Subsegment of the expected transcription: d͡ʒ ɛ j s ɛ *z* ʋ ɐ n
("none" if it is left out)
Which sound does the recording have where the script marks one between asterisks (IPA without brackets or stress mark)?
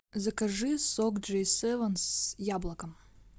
none